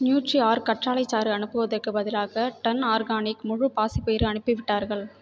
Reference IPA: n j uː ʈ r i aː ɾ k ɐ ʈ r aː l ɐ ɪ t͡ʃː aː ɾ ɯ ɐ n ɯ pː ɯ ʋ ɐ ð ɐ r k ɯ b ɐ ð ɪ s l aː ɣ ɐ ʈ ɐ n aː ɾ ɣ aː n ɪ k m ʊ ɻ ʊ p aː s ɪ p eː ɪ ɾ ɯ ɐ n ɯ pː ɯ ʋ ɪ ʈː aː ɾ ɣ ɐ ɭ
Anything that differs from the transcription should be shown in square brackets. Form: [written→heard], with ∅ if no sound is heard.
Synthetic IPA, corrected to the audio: n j uː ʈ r i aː ɾ k ɐ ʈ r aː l ɐ ɪ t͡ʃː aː ɾ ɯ ɐ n ɯ pː ɯ ʋ ɐ ð ɐ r k ɯ b ɐ ð ɪ [s→∅] l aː ɣ ɐ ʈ ɐ n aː ɾ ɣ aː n ɪ k m ʊ ɻ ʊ p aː s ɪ p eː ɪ ɾ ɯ ɐ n ɯ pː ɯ ʋ ɪ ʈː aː ɾ ɣ ɐ ɭ